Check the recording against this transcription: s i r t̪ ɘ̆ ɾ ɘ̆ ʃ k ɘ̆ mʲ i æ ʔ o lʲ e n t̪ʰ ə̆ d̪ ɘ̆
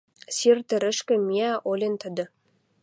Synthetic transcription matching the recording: s i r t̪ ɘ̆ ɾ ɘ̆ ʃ k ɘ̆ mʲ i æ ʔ o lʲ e n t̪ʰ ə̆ d̪ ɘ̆